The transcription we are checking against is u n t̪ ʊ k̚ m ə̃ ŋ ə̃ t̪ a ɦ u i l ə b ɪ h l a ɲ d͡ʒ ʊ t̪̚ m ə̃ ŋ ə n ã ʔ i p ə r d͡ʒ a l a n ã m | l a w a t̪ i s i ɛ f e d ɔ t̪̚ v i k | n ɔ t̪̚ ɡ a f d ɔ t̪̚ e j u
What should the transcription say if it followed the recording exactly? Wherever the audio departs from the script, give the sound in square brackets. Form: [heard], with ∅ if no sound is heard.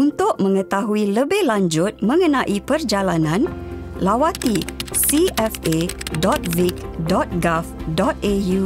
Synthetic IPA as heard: u n t̪ ʊ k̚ m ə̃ ŋ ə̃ t̪ a ɦ u i l ə b ɪ h l a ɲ d͡ʒ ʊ t̪̚ m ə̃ ŋ ə n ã ʔ i p ə r d͡ʒ a l a n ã [n] | l a w a t̪ i s i ɛ f e d ɔ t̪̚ v i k | [d] ɔ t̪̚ ɡ a f d ɔ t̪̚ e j u